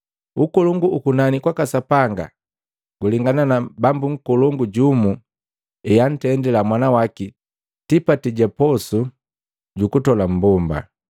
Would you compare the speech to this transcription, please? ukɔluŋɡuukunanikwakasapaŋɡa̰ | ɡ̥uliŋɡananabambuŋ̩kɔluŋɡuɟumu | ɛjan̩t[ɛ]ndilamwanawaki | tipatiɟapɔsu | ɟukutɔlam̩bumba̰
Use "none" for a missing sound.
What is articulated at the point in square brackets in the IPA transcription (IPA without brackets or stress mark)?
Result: ɛ